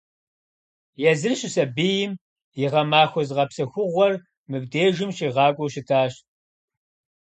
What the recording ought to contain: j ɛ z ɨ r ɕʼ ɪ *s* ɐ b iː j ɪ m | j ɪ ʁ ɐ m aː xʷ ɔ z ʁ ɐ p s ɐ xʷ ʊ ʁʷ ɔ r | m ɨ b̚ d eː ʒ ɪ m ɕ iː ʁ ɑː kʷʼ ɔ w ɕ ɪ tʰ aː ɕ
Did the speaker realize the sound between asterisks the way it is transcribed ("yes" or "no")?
yes